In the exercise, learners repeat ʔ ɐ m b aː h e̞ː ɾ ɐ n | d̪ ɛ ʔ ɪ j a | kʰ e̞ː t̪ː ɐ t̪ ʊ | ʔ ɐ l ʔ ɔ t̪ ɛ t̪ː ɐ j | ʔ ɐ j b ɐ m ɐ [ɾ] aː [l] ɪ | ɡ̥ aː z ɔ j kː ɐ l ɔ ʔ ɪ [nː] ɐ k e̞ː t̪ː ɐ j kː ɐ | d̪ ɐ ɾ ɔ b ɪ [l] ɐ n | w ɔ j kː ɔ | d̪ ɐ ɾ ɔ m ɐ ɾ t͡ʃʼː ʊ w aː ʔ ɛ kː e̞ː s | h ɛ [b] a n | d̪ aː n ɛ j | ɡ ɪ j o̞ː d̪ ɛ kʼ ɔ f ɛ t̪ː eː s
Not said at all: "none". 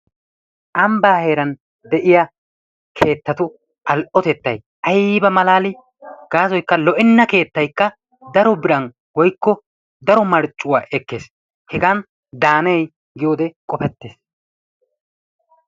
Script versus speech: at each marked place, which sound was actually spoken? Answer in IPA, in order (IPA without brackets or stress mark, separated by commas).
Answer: l, l, nː, ɾ, ɡ